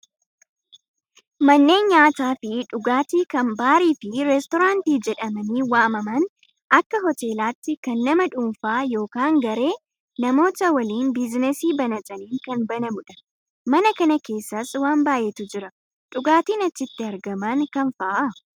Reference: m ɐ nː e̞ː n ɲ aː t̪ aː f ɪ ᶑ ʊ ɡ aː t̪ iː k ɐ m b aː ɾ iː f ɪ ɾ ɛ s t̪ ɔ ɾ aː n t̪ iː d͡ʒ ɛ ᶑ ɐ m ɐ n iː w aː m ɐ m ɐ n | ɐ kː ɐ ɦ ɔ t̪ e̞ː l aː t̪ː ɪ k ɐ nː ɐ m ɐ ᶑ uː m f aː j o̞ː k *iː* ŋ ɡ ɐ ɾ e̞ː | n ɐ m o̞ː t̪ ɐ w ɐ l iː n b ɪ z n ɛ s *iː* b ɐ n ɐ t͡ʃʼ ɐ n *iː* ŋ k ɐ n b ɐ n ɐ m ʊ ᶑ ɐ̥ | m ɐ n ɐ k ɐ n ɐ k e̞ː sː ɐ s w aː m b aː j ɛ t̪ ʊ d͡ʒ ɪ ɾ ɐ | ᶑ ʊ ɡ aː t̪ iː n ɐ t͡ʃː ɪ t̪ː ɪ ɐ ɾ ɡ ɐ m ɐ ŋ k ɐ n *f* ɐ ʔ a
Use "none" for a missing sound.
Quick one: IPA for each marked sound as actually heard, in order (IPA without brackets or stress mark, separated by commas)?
aː, iː, iː, f